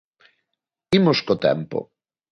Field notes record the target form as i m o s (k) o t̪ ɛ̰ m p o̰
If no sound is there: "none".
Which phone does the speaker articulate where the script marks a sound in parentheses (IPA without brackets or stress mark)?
k